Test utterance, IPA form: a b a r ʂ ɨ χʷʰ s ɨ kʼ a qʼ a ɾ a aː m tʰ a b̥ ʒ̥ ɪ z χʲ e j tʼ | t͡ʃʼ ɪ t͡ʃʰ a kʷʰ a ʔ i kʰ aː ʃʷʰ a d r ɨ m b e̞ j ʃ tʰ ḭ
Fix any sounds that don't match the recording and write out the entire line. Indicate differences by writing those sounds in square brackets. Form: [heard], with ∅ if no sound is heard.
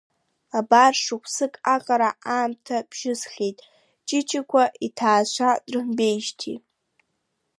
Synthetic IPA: a b a r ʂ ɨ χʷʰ s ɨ kʼ a qʼ a ɾ a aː m tʰ a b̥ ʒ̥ ɪ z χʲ e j tʼ | t͡ʃʼ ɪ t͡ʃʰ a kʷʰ a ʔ i [tʰ] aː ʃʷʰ a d r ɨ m b e̞ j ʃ tʰ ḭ